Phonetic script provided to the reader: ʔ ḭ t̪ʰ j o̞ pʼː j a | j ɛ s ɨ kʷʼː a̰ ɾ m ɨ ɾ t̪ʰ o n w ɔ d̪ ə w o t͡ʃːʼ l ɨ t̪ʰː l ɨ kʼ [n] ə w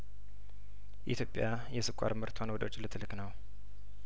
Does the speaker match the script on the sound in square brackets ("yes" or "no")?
yes